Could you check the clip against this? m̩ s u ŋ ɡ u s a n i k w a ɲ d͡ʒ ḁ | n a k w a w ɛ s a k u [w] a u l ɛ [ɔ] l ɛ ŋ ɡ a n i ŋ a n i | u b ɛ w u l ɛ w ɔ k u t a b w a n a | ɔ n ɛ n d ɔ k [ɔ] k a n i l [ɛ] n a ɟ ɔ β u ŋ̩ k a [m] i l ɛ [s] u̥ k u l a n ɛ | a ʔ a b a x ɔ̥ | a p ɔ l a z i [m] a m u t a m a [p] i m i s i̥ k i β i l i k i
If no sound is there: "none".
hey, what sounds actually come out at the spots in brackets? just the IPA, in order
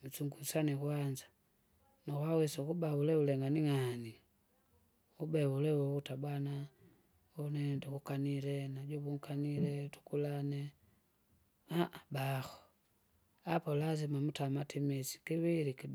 b, u, u, ɛ, n, t, m, t

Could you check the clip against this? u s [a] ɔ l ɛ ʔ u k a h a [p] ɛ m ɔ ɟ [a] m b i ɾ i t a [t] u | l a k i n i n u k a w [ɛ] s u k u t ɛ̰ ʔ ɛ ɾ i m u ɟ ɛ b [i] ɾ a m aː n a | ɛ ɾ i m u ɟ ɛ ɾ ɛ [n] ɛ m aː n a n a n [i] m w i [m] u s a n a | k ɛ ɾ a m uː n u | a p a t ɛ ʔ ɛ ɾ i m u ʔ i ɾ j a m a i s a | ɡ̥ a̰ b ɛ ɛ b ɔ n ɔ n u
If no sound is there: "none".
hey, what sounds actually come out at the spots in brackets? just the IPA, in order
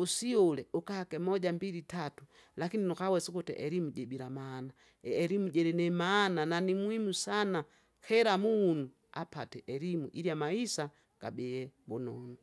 i, k, a, t, ɛ, i, n, i, m

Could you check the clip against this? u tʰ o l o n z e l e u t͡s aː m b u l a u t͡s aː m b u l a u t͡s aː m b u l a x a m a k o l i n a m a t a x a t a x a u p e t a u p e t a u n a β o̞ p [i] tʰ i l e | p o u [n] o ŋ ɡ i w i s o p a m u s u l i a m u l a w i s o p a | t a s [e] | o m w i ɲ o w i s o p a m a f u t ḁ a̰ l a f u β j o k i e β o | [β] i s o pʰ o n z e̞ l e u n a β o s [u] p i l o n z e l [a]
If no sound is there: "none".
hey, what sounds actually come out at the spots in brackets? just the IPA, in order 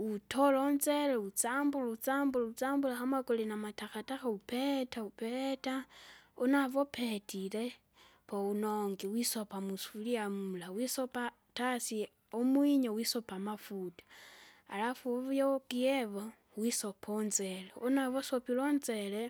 e, n, i, w, o, e

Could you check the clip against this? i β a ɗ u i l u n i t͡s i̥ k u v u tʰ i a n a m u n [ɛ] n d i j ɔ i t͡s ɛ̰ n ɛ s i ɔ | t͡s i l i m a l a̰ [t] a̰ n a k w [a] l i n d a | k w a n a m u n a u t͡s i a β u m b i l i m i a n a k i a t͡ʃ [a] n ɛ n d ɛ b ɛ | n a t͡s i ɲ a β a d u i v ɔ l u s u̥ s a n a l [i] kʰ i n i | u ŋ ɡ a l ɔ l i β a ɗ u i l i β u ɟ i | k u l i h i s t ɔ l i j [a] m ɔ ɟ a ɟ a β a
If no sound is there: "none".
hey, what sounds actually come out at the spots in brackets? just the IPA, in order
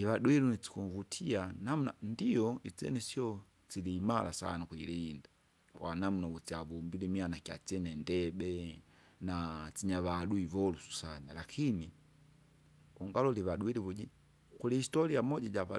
a, s, i, ɛ, a, a

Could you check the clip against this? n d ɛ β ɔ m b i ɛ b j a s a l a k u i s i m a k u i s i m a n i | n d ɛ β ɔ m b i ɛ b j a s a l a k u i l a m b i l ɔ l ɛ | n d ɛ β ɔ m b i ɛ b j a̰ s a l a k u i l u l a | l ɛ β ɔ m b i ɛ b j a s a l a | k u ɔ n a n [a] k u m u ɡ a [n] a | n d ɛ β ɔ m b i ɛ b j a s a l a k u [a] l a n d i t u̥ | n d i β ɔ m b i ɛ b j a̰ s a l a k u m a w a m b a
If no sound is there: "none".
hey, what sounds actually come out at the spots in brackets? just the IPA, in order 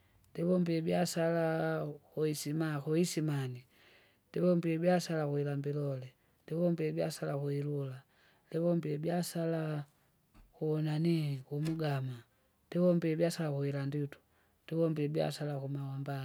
i, m, i

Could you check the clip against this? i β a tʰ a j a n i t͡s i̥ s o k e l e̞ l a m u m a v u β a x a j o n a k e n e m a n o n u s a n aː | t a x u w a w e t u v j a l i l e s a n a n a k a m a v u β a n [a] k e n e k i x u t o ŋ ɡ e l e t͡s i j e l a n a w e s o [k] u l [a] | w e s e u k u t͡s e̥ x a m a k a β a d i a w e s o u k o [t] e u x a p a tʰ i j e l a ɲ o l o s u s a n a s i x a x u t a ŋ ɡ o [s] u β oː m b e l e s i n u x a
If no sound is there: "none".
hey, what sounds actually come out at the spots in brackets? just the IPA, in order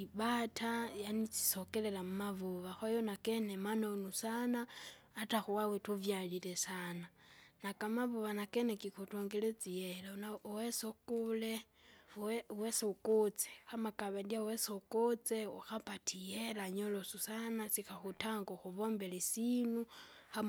a, k, e, t͡s, x

